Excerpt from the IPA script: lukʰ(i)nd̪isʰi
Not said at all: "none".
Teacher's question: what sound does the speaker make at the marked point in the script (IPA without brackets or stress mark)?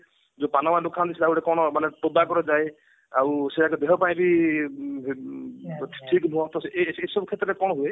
a